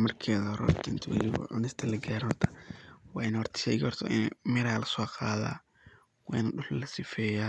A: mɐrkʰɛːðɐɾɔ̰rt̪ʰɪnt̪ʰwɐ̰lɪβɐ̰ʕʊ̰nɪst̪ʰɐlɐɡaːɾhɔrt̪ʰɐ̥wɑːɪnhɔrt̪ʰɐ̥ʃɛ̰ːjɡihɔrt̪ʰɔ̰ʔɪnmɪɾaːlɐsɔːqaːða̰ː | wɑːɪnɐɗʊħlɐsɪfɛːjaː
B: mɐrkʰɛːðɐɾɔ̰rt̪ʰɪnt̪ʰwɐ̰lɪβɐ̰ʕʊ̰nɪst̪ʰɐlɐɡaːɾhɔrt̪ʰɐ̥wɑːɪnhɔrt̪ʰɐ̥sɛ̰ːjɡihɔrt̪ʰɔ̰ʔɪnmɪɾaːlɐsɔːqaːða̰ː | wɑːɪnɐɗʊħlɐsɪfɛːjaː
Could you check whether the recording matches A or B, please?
A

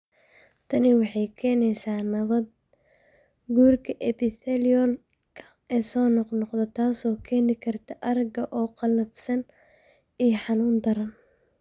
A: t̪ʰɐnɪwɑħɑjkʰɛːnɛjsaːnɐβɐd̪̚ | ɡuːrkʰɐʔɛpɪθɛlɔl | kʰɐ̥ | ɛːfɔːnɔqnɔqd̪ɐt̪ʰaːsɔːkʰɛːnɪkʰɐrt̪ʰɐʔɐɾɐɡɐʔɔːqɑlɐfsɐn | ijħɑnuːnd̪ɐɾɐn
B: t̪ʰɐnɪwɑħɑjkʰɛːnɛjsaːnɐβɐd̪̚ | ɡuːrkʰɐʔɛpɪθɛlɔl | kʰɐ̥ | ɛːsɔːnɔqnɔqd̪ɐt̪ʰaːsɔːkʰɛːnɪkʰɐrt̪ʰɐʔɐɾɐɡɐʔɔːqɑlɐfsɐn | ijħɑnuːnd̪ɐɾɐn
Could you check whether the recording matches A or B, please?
B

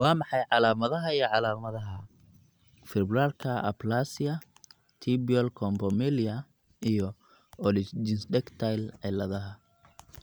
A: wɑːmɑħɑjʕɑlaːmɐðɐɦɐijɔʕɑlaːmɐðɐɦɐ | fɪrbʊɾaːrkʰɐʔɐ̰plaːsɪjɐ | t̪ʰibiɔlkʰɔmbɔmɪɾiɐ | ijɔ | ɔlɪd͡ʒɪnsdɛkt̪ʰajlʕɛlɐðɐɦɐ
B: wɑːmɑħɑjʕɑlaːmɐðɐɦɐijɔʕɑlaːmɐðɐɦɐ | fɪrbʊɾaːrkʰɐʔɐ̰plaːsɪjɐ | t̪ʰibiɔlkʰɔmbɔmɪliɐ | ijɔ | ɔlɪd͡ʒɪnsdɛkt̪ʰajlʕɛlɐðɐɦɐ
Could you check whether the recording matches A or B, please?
B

